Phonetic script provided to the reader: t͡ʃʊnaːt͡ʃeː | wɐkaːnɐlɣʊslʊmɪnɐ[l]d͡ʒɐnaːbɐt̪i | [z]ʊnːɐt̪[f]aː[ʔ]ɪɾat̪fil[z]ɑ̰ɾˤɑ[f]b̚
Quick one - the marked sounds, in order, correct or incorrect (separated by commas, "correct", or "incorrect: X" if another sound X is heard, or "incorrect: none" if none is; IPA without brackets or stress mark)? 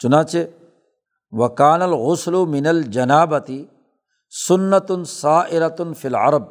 correct, incorrect: s, incorrect: s, correct, incorrect: ʕ, incorrect: none